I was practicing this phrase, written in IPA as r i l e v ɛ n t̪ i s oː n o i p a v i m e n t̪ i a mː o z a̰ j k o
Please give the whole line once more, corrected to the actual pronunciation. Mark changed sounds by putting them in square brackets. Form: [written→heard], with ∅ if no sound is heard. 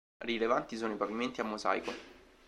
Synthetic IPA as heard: r i l e v [ɛ→a] n t̪ i s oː n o i p a v i m e n t̪ i a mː o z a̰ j k o